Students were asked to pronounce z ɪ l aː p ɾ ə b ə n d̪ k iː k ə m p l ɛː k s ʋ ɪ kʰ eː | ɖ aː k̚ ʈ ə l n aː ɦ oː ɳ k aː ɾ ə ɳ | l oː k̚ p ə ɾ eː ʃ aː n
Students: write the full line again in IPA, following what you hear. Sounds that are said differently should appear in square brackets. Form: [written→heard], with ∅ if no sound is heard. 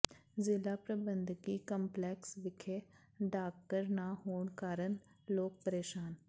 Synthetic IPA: z ɪ l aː p ɾ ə b ə n d̪ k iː k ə m p l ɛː k s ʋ ɪ kʰ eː | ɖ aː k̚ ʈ ə [l→ɾ] n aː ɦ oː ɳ k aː ɾ ə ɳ | l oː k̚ p ə ɾ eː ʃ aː n